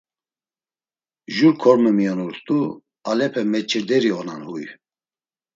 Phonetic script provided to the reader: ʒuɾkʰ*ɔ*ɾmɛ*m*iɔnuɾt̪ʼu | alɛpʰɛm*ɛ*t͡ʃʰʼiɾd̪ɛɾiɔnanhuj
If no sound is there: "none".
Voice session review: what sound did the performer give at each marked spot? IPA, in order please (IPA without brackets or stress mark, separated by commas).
ɔ, m, ɛ